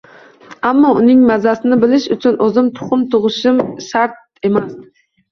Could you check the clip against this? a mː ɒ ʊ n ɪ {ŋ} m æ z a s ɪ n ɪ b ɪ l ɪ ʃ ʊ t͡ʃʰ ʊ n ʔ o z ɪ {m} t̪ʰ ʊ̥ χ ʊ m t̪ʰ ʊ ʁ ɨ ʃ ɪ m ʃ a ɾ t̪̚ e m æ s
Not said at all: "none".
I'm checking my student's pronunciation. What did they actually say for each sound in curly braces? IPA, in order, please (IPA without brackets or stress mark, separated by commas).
ŋ, m